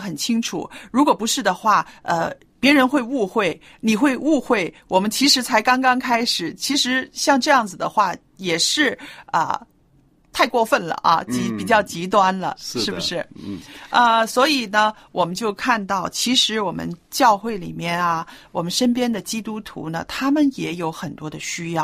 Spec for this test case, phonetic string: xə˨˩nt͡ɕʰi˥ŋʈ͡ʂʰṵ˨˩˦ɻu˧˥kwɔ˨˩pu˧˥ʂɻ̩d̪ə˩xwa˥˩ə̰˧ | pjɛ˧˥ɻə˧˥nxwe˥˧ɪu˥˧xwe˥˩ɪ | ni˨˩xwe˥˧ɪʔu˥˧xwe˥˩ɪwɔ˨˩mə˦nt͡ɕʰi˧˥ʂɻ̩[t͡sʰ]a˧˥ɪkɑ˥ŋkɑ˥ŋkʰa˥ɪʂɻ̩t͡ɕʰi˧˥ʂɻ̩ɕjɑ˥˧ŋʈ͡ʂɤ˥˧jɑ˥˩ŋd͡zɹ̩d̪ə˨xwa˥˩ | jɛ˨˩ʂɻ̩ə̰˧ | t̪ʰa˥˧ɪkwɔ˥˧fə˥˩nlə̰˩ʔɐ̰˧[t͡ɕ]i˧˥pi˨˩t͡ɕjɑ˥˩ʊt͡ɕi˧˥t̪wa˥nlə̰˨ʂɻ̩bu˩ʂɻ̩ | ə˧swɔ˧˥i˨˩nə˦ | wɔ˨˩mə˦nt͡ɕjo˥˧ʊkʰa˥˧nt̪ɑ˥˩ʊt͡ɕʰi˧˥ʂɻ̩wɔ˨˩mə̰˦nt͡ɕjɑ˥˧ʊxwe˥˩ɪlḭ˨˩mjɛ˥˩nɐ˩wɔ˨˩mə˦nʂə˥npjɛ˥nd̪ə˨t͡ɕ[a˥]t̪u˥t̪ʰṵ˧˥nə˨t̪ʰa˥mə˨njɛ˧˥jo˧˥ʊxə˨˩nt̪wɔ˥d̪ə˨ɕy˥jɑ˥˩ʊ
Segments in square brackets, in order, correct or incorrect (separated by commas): correct, correct, incorrect